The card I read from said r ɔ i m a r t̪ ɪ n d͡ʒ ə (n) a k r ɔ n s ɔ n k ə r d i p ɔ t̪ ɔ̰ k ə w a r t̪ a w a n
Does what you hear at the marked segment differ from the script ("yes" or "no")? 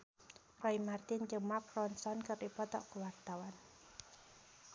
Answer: yes